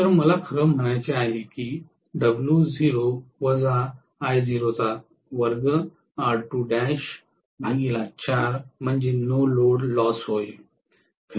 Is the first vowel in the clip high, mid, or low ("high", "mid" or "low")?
mid